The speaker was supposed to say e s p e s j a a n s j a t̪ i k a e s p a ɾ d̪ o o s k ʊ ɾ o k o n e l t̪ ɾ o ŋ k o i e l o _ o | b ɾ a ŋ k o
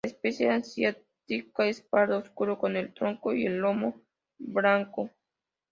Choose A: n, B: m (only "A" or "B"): B